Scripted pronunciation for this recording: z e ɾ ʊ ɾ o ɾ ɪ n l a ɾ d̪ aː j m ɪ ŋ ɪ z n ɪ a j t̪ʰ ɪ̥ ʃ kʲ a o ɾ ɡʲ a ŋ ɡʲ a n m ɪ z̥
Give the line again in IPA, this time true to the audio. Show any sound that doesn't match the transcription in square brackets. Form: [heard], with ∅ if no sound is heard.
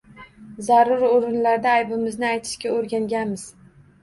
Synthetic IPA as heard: z [a] ɾ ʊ ɾ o ɾ ɪ n l a ɾ d̪ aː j [b] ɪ [m] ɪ z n ɪ a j t̪ʰ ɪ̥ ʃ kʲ a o ɾ ɡʲ a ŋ ɡʲ a n m ɪ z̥